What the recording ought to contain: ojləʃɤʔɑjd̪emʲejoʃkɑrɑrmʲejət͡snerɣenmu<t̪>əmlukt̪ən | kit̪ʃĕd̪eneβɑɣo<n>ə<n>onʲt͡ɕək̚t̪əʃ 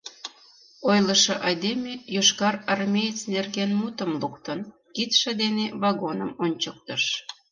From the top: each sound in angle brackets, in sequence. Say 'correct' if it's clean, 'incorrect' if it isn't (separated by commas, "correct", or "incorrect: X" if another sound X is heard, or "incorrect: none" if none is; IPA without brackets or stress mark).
correct, correct, incorrect: m